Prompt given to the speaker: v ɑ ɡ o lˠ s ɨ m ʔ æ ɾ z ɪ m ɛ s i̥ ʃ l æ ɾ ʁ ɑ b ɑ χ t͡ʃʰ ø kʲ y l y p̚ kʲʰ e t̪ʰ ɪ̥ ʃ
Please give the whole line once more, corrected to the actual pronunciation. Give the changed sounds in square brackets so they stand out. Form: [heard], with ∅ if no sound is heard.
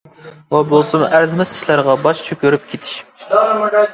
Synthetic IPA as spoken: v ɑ [b] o lˠ s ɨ m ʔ æ ɾ z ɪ m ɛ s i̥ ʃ l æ ɾ ʁ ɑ b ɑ [ʃ] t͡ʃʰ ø kʲ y [ɾ] y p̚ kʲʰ e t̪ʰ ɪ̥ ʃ